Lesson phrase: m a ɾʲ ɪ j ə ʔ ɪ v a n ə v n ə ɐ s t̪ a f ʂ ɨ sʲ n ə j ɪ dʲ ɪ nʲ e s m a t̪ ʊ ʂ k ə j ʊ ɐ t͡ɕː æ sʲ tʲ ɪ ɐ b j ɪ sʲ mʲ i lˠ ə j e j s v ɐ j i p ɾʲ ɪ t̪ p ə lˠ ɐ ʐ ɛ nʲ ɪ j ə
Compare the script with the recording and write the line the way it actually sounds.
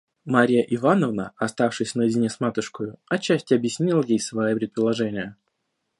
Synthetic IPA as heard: m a ɾʲ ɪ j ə ʔ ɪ v a n ə v n ə ɐ s t̪ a f ʂ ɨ sʲ n ə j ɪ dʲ ɪ nʲ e s m a t̪ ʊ ʂ k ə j ʊ ɐ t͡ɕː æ sʲ tʲ ɪ ɐ b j ɪ sʲ nʲ i lˠ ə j e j s v ɐ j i p ɾʲ ɪ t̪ p ə lˠ ɐ ʐ ɛ nʲ ɪ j ə

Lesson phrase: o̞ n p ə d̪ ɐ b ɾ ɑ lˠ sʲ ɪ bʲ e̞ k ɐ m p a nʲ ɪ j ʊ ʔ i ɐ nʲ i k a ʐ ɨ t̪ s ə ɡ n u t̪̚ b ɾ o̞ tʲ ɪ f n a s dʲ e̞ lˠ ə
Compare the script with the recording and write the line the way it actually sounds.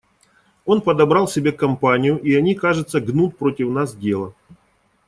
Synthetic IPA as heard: o̞ n p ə d̪ ɐ b ɾ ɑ lˠ sʲ ɪ bʲ e̞ k ɐ m p a nʲ ɪ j ʊ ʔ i ɐ nʲ i k a ʐ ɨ t̪ s ə ɡ n u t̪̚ p ɾ o̞ tʲ ɪ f n a s dʲ e̞ lˠ ə

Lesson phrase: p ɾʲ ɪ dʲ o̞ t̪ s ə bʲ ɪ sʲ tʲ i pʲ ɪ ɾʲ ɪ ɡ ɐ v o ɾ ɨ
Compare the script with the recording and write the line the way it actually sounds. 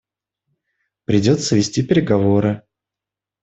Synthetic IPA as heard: p ɾʲ ɪ dʲ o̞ t̪ s ə vʲ ɪ sʲ tʲ i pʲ ɪ ɾʲ ɪ ɡ ɐ v o ɾ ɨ

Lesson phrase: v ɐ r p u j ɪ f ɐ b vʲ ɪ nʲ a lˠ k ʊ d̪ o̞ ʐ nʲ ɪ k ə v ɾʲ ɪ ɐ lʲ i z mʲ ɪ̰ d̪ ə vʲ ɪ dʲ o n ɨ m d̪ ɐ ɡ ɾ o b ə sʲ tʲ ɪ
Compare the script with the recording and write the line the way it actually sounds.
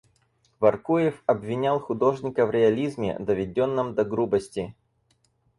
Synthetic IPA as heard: v ɐ r k u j ɪ f ɐ b vʲ ɪ nʲ a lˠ x ʊ d̪ o̞ ʐ nʲ ɪ k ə v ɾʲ ɪ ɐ lʲ i z mʲ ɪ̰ d̪ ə vʲ ɪ dʲ o nː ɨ m d̪ ɐ ɡ ɾ u b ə sʲ tʲ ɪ

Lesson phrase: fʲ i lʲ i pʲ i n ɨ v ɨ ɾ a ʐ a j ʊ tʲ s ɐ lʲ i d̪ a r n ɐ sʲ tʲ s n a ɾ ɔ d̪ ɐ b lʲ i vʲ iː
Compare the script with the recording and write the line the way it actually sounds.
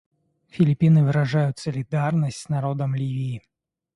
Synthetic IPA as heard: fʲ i lʲ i pʲ i n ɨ v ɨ ɾ a ʐ a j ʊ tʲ s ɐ lʲ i d̪ a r n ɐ sʲ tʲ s n a ɾ ɔ d̪ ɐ m lʲ i vʲ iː

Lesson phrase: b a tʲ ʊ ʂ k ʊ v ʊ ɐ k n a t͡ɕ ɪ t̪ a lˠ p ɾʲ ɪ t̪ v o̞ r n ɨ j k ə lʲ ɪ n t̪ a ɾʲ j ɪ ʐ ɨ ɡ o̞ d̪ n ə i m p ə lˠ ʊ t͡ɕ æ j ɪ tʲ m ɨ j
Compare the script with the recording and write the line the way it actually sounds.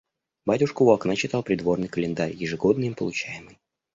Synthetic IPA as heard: b a tʲ ʊ ʂ k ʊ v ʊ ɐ k n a t͡ɕ ɪ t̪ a lˠ p ɾʲ ɪ d̪ v o̞ r n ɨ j k ə lʲ ɪ n d̪ a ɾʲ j ɪ ʐ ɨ ɡ o̞ d̪ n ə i m p ə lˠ ʊ t͡ɕ æ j ɪ m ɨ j

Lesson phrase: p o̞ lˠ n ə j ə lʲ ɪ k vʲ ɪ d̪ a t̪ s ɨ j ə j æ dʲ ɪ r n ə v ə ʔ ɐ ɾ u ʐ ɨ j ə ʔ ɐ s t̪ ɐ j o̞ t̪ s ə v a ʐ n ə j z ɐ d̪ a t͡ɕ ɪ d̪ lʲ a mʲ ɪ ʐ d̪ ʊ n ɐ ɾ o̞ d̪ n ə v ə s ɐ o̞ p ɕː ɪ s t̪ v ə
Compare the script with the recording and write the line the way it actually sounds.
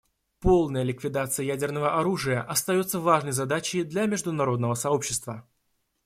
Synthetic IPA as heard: p o̞ lˠ n ə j ə lʲ ɪ k vʲ ɪ d̪ a t̪ s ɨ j ə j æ dʲ ɪ r n ə v ə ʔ ɐ ɾ u ʐ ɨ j ə ʔ ɐ s t̪ ɐ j o̞ t̪ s ə v a ʐ n ə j z ɐ d̪ a t͡ɕ ɪ d̪ lʲ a mʲ ɪ ʐ d̪ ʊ n ɐ ɾ o̞ d̪ n ə v ə s ɐ o̞ p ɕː ɪ s t̪ v ə

